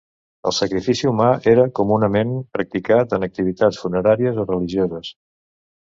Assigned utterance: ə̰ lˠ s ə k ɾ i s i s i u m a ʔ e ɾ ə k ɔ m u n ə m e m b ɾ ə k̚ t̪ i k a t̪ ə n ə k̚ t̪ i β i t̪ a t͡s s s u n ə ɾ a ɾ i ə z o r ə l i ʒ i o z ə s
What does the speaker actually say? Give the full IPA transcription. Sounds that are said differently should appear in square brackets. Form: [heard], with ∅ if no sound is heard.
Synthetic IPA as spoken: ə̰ lˠ s ə k ɾ i [f] i s i u m a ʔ e ɾ ə k [u] m u n ə m e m [p] ɾ ə k̚ t̪ i k a t̪ ə n ə k̚ t̪ i β i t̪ a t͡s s [f] u n ə ɾ a ɾ i ə z o r ə l i ʒ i o z ə s